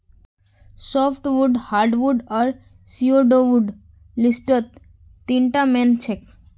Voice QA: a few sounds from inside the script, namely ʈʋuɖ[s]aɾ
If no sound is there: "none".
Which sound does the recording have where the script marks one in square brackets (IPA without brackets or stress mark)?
h